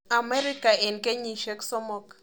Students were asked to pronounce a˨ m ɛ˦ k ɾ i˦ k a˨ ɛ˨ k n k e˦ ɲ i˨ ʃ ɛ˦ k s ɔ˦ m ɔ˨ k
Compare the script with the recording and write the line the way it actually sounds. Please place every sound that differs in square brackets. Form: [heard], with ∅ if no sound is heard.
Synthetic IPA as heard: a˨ m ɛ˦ [∅] ɾ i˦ k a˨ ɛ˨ [∅] n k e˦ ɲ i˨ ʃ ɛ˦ k s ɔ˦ m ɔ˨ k